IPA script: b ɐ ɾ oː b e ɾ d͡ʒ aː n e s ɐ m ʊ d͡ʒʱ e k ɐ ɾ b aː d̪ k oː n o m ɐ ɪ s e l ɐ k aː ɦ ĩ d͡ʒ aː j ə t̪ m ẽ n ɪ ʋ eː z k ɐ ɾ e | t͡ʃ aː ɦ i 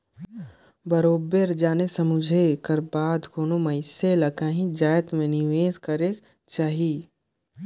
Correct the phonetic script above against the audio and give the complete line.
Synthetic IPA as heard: b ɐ ɾ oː b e ɾ d͡ʒ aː n e s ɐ m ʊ d͡ʒʱ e k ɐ ɾ b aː d̪ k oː n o m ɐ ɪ s e l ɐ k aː ɦ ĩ d͡ʒ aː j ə t̪ m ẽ n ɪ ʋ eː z k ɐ ɾ e | t͡ʃ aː ɦ i